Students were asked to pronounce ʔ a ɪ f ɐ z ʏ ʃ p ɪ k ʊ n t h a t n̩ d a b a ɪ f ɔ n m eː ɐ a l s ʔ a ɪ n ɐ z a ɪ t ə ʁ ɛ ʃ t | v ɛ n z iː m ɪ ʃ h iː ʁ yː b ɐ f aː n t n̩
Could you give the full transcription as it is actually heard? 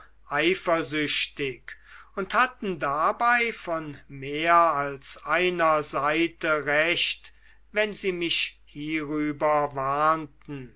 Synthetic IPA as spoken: ʔ a ɪ f ɐ z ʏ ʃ t ɪ k ʊ n t h a t n̩ d a b a ɪ f ɔ n m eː ɐ a l s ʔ a ɪ n ɐ z a ɪ t ə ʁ ɛ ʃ t | v ɛ n z iː m ɪ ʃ h iː ʁ yː b ɐ v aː n t n̩